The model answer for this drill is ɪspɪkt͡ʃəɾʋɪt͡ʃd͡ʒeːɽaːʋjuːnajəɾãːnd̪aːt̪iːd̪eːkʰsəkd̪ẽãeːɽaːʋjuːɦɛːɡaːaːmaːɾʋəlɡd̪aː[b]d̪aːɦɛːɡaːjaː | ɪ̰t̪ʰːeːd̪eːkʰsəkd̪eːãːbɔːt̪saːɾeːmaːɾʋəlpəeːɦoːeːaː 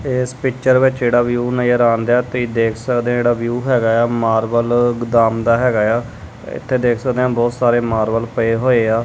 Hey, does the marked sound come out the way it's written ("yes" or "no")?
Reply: no